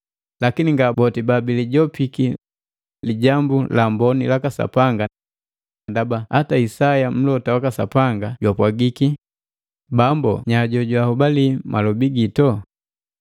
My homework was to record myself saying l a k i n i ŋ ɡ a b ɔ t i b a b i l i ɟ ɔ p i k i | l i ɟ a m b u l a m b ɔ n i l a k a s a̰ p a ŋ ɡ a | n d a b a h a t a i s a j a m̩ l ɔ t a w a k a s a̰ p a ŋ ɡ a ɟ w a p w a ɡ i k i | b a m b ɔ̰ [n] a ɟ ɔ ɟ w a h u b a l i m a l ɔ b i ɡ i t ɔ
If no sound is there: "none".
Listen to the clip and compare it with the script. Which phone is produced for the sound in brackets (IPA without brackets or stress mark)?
ɲ